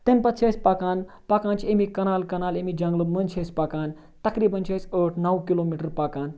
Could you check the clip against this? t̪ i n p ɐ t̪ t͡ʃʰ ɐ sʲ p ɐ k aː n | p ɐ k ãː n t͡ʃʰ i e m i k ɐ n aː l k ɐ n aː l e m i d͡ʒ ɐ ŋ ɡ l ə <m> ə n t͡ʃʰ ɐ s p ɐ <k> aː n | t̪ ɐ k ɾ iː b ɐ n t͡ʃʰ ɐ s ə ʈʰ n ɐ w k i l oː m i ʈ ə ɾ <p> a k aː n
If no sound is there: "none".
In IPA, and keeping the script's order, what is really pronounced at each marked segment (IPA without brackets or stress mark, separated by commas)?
m, k, p